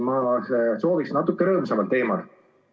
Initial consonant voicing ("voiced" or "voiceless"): voiced